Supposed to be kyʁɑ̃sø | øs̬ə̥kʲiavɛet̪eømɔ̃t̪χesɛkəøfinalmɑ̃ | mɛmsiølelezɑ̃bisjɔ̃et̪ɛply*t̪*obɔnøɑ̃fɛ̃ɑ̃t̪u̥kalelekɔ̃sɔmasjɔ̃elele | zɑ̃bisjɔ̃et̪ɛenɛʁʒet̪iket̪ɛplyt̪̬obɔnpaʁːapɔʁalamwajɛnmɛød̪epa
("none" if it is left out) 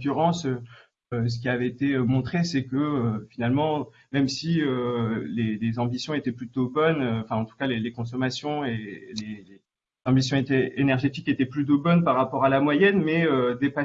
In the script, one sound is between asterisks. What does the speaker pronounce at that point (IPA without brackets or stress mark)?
t̪